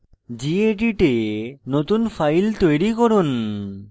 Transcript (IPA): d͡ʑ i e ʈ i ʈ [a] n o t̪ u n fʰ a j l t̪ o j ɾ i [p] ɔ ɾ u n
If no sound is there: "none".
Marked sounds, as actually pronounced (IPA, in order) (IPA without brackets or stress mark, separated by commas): e, k